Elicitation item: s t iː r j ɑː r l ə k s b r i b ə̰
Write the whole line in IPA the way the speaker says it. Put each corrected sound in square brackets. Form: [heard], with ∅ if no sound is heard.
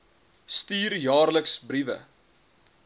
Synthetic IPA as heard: s t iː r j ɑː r l ə k s b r i [v] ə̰